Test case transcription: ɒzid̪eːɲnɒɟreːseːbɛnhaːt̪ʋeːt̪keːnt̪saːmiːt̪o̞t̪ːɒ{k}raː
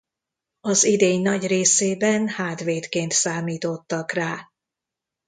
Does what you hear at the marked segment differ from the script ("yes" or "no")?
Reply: no